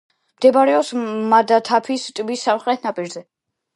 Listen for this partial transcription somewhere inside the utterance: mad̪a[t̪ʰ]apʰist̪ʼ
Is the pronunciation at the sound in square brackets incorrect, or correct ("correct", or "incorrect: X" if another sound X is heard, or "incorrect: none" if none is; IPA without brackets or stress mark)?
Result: correct